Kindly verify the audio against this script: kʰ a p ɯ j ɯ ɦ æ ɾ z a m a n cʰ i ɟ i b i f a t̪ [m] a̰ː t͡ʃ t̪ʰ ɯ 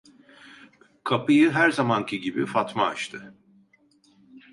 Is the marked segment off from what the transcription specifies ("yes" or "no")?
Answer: no